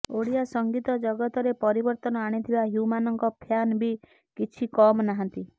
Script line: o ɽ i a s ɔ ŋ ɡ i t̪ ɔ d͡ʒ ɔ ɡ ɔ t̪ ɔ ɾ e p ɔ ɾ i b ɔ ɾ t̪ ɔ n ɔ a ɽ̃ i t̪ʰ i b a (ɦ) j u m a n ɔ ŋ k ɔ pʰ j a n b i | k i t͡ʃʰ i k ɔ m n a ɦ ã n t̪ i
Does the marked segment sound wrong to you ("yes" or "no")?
no